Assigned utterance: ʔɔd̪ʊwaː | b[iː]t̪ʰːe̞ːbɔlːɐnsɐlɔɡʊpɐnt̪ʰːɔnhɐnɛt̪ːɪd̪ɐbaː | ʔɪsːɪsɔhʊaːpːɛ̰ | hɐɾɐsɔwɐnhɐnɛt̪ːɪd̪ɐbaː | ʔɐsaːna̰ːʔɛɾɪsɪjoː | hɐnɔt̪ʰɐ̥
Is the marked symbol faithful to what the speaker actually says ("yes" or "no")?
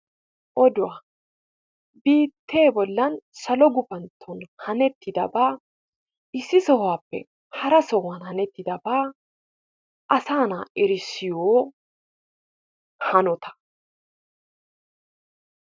yes